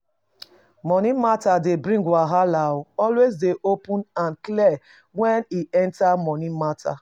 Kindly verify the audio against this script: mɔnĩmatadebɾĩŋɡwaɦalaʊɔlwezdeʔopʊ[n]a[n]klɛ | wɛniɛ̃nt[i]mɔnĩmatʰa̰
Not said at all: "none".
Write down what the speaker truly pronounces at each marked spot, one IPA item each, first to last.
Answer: n, n, a

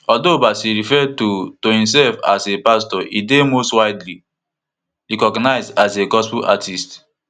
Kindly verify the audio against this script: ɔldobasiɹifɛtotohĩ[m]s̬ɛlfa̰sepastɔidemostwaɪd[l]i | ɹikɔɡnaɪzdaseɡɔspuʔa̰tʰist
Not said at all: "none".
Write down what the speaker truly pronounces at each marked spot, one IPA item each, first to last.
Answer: m, l

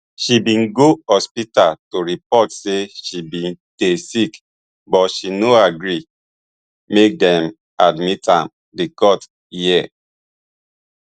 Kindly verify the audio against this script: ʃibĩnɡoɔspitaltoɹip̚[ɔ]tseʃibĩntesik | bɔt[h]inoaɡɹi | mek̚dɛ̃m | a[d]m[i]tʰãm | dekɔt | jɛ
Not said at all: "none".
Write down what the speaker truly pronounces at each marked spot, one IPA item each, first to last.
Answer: ɔ, ʃ, d, i

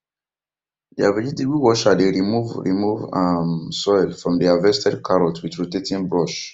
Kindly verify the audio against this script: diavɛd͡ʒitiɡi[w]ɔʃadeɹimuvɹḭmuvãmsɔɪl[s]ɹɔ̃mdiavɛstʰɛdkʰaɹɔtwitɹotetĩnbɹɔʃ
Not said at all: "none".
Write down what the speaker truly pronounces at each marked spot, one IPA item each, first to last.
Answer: w, f

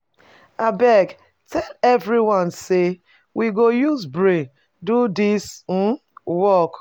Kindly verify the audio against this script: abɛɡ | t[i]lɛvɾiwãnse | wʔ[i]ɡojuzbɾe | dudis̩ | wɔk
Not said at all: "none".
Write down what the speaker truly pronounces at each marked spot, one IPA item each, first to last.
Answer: ɛ, i

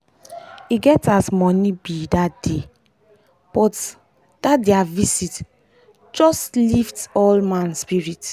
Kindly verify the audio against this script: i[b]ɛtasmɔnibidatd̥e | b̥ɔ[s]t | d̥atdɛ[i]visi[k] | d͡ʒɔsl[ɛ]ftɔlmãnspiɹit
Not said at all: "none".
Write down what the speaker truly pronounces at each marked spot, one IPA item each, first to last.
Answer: ɡ, none, a, t, i

